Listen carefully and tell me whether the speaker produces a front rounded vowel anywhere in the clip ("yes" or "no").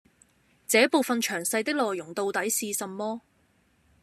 yes